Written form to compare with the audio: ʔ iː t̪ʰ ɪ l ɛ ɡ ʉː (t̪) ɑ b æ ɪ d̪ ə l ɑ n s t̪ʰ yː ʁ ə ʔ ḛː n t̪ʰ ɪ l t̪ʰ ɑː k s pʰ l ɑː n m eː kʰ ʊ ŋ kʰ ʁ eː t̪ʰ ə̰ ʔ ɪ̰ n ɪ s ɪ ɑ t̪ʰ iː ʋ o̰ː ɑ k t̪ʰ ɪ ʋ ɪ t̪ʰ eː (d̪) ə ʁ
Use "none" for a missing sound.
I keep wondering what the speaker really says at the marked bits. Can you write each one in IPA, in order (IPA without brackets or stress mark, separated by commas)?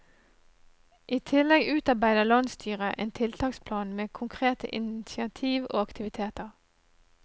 t̪, t̪